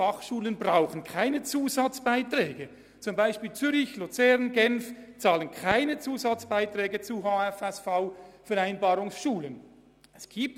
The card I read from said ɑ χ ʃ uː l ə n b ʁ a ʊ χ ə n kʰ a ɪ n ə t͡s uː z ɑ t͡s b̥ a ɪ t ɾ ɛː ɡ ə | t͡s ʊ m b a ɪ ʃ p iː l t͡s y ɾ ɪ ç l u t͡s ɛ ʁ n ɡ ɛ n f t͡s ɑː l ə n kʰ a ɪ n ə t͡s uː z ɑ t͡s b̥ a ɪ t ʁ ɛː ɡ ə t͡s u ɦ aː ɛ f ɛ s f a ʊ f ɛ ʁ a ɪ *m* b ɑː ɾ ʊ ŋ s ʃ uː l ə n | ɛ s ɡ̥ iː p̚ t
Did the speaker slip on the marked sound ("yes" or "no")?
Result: yes